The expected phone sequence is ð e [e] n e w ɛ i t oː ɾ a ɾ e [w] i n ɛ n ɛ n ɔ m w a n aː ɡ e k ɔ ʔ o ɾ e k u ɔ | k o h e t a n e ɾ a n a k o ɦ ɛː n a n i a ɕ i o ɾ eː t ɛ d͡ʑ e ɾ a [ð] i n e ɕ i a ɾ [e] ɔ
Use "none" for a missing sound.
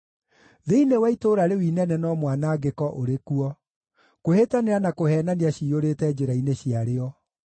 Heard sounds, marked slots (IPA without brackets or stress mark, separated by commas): i, w, none, e